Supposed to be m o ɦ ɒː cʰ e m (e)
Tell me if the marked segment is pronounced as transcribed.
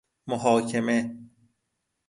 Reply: yes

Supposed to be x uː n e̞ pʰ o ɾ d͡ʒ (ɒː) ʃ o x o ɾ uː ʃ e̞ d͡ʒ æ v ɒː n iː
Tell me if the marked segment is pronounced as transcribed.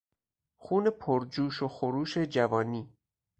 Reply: no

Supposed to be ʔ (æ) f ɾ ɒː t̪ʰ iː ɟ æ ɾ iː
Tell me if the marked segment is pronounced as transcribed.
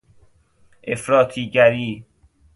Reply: no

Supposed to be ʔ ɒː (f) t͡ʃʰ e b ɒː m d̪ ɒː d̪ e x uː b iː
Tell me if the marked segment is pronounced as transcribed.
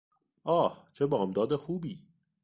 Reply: no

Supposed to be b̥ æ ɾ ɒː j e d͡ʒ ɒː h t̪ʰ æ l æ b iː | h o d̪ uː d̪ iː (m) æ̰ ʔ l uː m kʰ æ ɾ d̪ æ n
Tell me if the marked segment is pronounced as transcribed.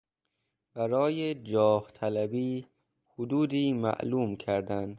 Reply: yes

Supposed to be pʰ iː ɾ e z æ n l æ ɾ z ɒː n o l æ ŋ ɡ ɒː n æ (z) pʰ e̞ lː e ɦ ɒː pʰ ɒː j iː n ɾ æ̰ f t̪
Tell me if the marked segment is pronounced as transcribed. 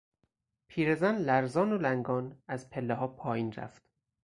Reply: yes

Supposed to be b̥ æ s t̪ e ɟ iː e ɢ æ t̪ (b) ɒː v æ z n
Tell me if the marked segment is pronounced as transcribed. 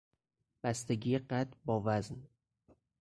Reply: yes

